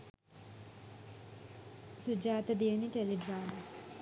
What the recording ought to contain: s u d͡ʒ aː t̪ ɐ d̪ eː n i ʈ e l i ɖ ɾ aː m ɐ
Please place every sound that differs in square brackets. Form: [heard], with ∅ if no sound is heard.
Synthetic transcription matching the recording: s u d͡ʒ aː t̪ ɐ d̪ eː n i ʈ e l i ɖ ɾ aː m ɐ